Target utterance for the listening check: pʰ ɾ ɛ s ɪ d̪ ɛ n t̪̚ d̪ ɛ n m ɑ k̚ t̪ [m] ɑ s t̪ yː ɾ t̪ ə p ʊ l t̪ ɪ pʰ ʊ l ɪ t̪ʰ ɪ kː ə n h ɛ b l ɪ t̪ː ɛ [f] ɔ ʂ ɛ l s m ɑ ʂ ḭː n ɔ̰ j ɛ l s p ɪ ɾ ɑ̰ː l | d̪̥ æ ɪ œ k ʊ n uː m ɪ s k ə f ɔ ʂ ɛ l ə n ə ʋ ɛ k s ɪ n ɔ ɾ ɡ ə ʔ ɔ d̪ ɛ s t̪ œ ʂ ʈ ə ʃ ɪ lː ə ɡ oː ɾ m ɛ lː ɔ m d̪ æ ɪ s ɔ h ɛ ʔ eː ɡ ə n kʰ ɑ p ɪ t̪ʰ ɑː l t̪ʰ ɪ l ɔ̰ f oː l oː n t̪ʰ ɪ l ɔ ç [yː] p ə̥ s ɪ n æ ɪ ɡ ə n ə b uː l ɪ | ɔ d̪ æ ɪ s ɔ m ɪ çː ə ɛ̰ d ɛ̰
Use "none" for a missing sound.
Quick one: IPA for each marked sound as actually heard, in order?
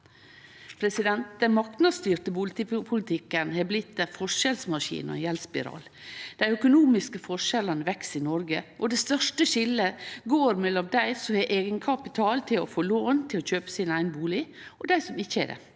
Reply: n, f, øː

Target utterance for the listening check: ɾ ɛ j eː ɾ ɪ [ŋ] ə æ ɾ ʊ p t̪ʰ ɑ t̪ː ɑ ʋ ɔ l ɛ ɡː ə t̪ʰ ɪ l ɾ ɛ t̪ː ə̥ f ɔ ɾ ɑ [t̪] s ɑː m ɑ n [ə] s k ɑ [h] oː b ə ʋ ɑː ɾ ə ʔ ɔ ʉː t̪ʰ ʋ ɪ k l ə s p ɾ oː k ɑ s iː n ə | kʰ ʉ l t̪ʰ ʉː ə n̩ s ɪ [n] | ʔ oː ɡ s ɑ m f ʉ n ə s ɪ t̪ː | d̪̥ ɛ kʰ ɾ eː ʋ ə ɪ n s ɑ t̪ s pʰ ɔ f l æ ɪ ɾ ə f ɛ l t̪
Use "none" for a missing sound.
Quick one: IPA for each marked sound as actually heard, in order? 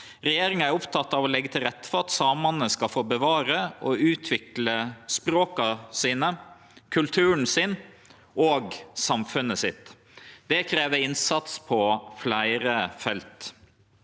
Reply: ŋ, t̪, ə, f, n

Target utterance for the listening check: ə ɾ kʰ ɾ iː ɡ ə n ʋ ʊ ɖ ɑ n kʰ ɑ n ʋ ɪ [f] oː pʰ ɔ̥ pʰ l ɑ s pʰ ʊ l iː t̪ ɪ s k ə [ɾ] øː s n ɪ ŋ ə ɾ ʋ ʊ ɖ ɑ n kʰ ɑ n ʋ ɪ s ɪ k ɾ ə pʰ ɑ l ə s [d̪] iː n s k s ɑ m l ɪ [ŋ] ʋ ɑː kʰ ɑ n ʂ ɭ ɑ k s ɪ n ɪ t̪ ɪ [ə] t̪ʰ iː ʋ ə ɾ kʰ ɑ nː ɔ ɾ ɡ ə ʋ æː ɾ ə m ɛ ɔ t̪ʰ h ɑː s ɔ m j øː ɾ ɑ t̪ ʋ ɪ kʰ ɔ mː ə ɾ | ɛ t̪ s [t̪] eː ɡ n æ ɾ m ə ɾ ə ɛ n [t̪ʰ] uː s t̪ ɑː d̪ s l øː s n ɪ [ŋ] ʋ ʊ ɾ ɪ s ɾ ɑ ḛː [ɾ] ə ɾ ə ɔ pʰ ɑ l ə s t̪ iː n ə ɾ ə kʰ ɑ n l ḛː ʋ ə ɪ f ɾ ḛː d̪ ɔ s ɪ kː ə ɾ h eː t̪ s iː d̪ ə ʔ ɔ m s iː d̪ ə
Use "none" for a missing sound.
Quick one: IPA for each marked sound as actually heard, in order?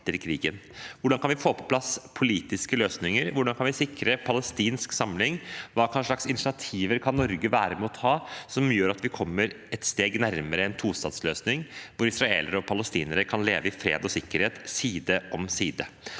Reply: f, l, t̪, ŋ, ɑ, t̪, t̪ʰ, ŋ, l

